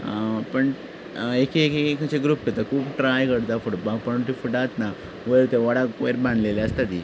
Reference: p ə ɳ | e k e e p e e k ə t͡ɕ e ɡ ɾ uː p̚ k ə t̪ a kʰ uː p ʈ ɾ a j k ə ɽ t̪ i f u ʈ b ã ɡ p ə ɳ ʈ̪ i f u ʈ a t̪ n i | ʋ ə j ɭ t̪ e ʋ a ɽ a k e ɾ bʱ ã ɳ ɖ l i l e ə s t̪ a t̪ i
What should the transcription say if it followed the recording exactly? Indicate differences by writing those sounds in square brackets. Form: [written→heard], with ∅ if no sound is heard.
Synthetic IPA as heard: p ə ɳ | e k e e [p→k] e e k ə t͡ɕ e ɡ ɾ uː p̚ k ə t̪ a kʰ uː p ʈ ɾ a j k ə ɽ t̪ [i→a] f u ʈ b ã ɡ p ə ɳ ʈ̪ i f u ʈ a t̪ n [i→a] | ʋ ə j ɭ t̪ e ʋ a ɽ a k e ɾ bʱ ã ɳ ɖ l [i→e] l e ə s t̪ a t̪ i